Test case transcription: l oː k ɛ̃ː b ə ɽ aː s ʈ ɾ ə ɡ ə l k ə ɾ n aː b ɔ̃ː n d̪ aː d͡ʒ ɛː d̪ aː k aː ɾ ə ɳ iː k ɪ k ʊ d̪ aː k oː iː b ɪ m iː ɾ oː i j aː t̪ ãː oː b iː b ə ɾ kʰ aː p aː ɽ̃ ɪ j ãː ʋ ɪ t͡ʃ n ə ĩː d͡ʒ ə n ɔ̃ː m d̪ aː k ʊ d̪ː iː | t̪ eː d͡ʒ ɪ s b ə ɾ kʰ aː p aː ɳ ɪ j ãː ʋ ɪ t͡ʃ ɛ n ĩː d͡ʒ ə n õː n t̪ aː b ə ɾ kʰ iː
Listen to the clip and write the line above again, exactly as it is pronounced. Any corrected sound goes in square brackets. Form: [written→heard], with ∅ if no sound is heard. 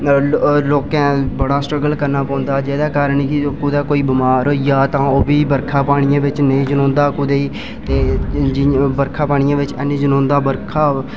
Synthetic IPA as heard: l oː k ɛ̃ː b ə ɽ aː s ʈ ɾ ə ɡ ə l k ə ɾ n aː [b→p] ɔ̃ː n d̪ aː d͡ʒ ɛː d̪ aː k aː ɾ ə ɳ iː k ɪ k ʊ d̪ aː k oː iː b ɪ m [iː→aː] ɾ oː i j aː t̪ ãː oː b iː b ə ɾ kʰ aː p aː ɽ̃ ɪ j ãː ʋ ɪ t͡ʃ n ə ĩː d͡ʒ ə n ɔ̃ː [m→n] d̪ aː k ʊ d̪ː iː | t̪ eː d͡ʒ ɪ [s→∅] b ə ɾ kʰ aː p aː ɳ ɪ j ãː ʋ ɪ t͡ʃ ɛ n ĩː d͡ʒ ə n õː n [t̪→d̪] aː b ə ɾ kʰ [iː→aː]